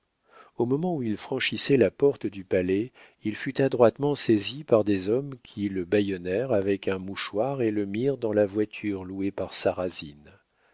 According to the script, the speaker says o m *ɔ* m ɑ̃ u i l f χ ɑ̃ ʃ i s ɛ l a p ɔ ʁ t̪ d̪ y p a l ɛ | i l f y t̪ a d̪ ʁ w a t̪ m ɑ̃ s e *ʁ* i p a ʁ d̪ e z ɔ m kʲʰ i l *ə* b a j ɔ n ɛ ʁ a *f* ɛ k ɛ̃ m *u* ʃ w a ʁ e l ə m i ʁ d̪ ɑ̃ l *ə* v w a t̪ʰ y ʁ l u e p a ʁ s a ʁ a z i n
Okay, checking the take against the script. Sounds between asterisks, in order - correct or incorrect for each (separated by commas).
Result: correct, incorrect, correct, incorrect, correct, incorrect